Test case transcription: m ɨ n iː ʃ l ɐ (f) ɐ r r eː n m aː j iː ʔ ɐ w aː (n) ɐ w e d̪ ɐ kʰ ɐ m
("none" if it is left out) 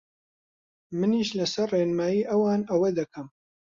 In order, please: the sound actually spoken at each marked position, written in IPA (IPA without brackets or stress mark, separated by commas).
s, n